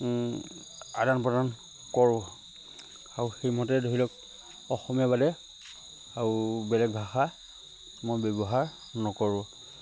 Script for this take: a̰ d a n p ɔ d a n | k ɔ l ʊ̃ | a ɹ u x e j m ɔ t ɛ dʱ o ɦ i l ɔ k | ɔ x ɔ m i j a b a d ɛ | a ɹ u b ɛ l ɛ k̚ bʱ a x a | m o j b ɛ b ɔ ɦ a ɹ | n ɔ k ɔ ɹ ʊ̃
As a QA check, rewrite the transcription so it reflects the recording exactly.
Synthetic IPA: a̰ d a n p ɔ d a n | k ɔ ɹ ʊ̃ | a ɹ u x e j m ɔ t ɛ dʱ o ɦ i l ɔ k | ɔ x ɔ m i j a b a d ɛ | a ɹ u b ɛ l ɛ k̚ bʱ a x a | m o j b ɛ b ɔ ɦ a ɹ | n ɔ k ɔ ɹ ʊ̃